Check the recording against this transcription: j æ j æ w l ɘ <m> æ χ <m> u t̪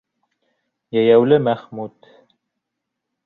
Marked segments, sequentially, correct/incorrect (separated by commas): correct, correct